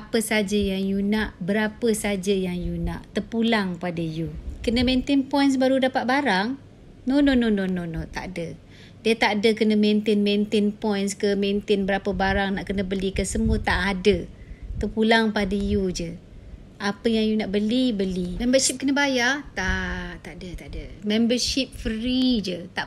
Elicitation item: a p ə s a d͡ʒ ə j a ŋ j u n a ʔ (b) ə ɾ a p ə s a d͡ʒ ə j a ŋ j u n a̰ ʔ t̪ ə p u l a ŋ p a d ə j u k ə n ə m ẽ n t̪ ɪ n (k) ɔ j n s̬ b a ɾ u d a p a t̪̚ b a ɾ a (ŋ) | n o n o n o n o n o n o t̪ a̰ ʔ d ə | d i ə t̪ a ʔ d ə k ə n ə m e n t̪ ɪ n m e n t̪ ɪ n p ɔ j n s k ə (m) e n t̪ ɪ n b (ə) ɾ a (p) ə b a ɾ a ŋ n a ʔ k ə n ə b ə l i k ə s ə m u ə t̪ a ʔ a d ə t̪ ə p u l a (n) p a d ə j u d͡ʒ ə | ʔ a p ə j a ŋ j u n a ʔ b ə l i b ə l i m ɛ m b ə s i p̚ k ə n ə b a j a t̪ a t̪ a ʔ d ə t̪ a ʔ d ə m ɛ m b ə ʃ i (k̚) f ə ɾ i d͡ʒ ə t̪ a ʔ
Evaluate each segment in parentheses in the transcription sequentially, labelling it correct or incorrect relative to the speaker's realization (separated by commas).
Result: correct, incorrect, correct, correct, correct, correct, incorrect, incorrect